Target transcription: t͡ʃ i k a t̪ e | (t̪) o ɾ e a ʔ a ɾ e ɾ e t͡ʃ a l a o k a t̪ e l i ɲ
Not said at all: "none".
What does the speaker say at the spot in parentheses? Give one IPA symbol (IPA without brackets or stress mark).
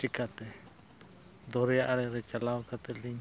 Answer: d̪